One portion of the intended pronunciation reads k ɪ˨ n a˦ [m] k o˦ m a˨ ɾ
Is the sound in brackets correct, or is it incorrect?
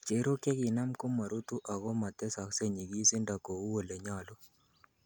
correct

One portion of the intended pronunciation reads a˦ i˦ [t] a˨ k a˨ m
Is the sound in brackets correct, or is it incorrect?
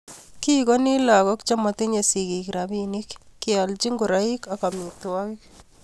incorrect: k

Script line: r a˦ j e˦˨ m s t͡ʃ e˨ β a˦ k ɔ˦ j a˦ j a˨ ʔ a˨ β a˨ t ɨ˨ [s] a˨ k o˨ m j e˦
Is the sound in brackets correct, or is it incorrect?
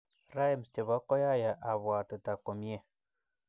incorrect: t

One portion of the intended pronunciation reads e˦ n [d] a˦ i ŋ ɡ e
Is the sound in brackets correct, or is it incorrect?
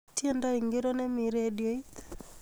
correct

